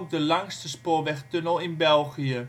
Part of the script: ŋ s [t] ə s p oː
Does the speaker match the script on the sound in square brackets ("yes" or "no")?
yes